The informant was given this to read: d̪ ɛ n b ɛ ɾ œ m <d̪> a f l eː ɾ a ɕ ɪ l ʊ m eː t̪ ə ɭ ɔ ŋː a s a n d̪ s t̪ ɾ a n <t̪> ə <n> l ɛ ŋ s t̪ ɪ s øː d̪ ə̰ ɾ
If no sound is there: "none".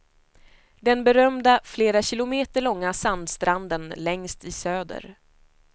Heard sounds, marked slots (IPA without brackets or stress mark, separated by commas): d̪, d̪, n